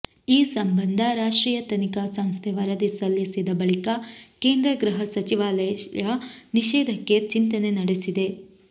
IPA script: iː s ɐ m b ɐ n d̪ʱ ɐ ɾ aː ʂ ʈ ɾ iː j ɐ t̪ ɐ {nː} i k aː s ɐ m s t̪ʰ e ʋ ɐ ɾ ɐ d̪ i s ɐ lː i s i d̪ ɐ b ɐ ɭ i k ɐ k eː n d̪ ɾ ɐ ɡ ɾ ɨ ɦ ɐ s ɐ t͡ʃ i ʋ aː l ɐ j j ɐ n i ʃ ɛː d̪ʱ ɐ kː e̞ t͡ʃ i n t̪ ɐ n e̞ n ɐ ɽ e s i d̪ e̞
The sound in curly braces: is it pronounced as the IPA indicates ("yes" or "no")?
no